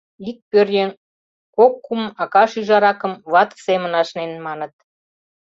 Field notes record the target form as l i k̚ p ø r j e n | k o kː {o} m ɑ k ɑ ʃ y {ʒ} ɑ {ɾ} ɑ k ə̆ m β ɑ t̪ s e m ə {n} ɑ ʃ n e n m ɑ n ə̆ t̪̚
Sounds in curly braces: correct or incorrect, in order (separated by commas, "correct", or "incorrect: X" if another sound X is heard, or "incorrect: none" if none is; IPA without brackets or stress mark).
incorrect: u, correct, correct, correct